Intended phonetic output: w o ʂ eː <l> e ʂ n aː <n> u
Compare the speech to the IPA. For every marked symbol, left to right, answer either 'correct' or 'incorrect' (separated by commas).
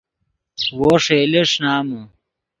correct, incorrect